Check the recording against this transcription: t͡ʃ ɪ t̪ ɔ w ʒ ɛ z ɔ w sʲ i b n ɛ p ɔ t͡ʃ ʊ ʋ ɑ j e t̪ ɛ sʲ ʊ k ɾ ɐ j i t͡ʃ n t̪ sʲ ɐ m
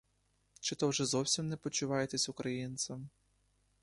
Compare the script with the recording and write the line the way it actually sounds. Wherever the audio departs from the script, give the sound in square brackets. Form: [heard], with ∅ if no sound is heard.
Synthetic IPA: t͡ʃ ɪ t̪ ɔ w ʒ ɛ z ɔ w sʲ i [m] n ɛ p ɔ t͡ʃ ʊ ʋ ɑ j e t̪ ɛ sʲ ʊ k ɾ ɐ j i [∅] n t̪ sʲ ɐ m

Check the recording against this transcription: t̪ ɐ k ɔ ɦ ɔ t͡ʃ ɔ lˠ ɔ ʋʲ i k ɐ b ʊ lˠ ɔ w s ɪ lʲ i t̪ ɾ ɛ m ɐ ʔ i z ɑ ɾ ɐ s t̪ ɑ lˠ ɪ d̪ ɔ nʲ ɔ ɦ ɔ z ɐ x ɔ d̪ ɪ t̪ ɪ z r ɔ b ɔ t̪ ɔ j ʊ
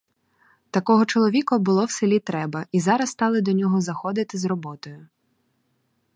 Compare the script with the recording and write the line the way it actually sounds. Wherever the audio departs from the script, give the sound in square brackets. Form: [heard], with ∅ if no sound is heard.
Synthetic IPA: t̪ ɐ k ɔ ɦ ɔ t͡ʃ ɔ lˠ ɔ ʋʲ i k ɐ b ʊ lˠ ɔ w s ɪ lʲ i t̪ ɾ ɛ [b] ɐ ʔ i z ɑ ɾ ɐ s t̪ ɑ lˠ ɪ d̪ ɔ nʲ ɔ ɦ ɔ z ɐ x ɔ d̪ ɪ t̪ ɪ z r ɔ b ɔ t̪ ɔ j ʊ

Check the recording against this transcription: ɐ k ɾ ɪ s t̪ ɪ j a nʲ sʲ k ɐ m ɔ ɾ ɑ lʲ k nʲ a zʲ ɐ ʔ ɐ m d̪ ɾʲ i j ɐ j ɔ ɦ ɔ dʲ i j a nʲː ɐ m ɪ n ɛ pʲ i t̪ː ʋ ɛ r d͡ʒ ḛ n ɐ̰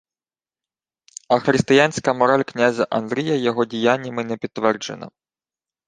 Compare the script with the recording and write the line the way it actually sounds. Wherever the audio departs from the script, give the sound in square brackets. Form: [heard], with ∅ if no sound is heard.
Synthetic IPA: ɐ [x] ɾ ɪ s t̪ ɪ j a nʲ sʲ k ɐ m ɔ ɾ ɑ lʲ k nʲ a zʲ ɐ ʔ ɐ [n] d̪ ɾʲ i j ɐ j ɔ ɦ ɔ dʲ i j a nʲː ɐ m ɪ n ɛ pʲ i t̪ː ʋ ɛ r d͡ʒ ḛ n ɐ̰

